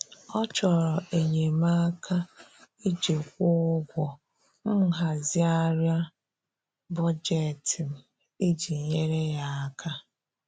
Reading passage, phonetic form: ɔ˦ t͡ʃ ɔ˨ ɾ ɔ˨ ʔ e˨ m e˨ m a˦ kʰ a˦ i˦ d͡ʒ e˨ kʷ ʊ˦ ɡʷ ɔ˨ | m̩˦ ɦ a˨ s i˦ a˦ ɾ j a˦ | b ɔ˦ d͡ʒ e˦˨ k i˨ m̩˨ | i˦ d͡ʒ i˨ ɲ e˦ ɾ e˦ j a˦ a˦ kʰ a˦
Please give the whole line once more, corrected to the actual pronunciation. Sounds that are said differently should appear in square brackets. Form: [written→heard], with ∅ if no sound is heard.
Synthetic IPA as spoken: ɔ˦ t͡ʃ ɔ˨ ɾ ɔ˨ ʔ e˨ [m→ɲ] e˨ m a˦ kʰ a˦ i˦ d͡ʒ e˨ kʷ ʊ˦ ɡʷ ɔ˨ | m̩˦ ɦ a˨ [s→z] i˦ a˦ ɾ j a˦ | b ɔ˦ d͡ʒ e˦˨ [k→t] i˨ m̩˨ | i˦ d͡ʒ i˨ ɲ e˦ ɾ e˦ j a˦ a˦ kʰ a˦

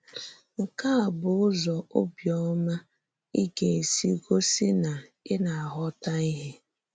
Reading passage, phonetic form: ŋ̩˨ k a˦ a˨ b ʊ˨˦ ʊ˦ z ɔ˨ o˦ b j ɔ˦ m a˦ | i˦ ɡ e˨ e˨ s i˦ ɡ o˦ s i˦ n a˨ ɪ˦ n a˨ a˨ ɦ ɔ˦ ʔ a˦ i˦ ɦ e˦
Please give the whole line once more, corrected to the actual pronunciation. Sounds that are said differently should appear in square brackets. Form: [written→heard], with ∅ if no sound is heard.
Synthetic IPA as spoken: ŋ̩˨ k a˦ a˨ b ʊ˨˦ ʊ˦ z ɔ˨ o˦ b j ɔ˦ m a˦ | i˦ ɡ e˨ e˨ s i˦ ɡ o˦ s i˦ n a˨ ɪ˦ n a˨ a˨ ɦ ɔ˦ [ʔ→t] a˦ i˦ ɦ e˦

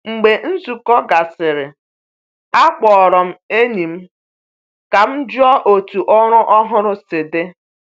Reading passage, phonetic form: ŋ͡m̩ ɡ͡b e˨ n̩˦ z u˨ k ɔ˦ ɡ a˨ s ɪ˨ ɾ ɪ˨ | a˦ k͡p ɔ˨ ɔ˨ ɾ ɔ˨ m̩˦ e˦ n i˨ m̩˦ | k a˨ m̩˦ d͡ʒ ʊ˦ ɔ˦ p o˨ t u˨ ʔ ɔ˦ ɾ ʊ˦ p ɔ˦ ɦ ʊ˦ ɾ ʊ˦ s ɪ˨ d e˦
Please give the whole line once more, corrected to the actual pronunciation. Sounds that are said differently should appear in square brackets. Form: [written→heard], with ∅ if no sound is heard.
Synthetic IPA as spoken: ŋ͡m̩ ɡ͡b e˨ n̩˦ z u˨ k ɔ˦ ɡ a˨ s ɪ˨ ɾ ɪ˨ | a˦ k͡p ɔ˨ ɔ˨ ɾ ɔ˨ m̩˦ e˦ n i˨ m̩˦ | k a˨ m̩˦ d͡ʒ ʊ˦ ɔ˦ [p→ʔ] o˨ t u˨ ʔ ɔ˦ ɾ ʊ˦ [p→ʔ] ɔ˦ ɦ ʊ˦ ɾ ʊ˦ s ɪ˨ d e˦

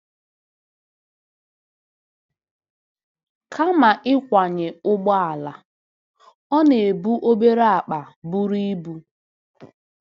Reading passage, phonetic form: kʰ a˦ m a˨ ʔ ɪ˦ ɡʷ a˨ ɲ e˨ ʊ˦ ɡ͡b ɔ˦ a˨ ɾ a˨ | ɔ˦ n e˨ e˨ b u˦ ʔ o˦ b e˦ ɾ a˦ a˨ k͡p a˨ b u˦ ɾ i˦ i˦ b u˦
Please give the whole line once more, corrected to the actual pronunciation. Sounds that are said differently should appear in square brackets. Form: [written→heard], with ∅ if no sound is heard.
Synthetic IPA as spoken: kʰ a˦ m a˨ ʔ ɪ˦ [ɡʷ→kʷ] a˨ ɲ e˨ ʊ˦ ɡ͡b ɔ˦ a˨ [ɾ→l] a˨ | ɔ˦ n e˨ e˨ b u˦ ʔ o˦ b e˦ ɾ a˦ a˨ k͡p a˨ b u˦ ɾ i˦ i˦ b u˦

